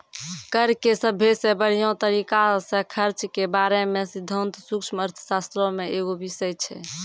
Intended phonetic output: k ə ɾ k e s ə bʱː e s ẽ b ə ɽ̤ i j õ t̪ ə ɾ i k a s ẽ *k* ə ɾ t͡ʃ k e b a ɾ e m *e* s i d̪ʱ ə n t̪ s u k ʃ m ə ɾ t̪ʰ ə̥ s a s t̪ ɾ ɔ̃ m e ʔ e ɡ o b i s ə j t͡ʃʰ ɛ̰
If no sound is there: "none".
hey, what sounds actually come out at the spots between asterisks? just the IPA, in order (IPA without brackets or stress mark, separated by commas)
kʰ, e